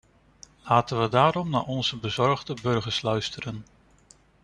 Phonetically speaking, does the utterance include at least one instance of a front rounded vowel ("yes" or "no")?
yes